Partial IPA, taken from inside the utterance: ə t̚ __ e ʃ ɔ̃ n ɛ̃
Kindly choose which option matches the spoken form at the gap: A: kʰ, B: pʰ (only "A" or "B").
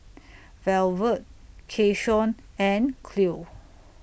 A